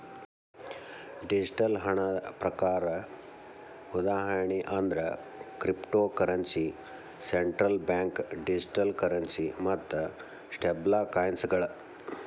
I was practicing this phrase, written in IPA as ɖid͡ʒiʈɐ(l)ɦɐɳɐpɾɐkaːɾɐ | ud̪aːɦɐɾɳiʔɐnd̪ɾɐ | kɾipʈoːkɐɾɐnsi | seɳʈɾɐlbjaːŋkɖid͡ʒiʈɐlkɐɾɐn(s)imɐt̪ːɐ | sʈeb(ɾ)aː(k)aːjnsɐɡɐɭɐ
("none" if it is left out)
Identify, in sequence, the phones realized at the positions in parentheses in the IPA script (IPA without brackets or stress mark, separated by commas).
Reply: l, s, l, k